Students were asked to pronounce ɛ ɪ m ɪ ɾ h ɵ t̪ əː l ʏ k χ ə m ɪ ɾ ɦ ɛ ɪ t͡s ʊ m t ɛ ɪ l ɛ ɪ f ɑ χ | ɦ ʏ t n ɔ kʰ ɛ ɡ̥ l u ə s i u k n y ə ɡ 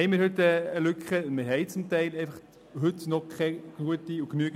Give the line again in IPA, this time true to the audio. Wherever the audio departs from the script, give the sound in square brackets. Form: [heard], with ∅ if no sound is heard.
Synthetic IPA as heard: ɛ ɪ m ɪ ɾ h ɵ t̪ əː l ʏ k χ ə m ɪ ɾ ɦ ɛ ɪ t͡s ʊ m t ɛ ɪ l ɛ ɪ f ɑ χ | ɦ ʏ t n ɔ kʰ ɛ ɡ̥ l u ə [t] i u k n y ə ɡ